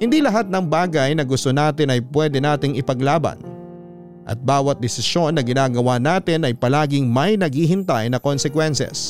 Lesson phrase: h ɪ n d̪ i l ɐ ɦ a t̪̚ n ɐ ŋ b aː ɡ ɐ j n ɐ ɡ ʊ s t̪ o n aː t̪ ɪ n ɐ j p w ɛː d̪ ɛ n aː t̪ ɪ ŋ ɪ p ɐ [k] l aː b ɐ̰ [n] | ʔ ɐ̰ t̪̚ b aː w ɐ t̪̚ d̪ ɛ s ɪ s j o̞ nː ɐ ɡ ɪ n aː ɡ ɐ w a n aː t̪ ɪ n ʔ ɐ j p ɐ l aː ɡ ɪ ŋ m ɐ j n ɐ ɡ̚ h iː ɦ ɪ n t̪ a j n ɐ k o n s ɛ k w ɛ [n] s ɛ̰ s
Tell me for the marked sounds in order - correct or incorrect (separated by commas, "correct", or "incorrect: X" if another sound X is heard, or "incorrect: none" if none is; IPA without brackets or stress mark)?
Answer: incorrect: ɡ, correct, correct